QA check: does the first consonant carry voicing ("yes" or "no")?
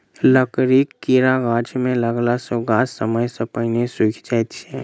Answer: yes